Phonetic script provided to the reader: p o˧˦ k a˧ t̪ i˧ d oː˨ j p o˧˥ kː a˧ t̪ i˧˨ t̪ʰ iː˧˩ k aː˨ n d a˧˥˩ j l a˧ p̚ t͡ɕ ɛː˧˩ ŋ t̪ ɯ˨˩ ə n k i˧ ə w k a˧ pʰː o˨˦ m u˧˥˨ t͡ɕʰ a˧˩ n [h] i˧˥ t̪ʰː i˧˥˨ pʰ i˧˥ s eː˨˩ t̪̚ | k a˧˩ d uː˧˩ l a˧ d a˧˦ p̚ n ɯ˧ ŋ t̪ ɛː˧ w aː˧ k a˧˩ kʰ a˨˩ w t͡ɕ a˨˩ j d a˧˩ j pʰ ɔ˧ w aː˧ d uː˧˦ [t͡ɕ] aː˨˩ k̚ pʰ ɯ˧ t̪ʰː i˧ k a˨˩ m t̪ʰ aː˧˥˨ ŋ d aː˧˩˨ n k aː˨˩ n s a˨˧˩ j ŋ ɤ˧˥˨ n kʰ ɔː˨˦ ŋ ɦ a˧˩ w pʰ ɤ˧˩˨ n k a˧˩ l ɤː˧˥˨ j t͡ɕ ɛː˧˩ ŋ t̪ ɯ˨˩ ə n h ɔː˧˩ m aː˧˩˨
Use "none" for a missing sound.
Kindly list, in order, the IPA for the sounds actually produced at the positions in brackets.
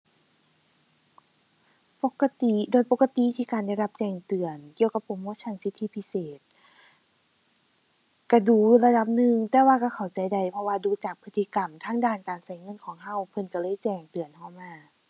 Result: s, t͡ɕ

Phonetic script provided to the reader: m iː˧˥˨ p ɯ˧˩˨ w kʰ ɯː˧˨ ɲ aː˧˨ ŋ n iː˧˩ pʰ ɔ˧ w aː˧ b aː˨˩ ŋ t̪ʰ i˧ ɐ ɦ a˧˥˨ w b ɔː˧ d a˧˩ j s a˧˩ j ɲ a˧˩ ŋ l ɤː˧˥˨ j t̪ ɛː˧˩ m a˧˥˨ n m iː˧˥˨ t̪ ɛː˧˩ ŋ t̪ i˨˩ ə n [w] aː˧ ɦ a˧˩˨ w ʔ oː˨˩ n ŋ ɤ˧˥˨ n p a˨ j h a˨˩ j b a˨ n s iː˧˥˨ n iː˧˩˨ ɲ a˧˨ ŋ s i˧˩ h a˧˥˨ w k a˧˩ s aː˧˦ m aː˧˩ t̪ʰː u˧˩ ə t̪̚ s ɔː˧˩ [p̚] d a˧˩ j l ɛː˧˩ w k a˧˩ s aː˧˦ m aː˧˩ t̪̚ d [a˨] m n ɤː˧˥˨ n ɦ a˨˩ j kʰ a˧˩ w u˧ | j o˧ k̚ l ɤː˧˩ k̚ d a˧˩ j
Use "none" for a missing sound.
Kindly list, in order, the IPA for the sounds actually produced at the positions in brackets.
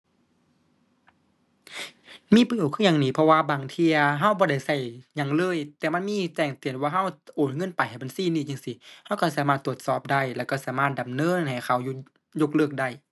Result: w, p̚, a˨

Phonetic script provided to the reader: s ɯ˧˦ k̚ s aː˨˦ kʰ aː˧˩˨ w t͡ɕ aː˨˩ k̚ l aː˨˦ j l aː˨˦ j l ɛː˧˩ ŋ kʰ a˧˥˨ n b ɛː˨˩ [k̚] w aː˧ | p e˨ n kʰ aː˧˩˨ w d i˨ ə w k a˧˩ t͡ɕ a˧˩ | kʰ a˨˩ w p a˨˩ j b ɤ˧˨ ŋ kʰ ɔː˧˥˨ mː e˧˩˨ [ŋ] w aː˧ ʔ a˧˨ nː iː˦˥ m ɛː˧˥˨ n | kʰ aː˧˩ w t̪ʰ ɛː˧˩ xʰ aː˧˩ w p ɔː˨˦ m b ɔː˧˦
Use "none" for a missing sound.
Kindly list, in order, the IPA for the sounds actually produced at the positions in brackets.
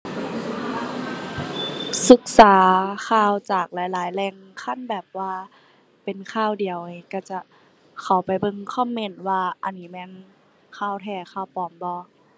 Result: p̚, n

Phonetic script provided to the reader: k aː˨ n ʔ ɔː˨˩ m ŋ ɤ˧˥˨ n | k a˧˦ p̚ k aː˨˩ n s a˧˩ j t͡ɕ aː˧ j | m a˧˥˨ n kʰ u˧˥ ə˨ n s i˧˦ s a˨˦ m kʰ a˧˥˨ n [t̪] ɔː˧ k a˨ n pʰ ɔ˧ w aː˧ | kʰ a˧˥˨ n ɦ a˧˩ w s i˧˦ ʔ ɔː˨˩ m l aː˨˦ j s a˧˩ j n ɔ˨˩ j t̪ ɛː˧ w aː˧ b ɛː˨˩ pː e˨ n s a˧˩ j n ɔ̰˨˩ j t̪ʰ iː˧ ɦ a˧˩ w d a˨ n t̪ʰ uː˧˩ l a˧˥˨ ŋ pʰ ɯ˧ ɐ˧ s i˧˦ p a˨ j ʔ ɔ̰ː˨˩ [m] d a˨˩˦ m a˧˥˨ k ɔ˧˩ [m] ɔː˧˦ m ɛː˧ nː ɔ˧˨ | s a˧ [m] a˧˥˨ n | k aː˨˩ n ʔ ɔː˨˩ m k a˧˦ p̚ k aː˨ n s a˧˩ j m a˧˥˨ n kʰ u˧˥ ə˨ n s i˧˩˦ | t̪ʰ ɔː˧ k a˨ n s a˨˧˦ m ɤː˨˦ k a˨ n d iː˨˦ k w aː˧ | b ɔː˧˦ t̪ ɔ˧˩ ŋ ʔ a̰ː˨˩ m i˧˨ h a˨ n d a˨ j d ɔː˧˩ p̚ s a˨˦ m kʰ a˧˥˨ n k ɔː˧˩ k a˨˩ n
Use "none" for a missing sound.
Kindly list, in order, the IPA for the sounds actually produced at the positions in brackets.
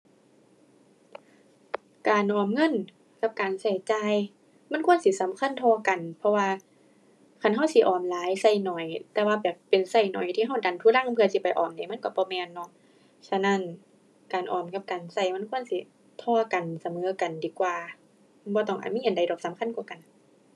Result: t̪ʰ, m, b, n

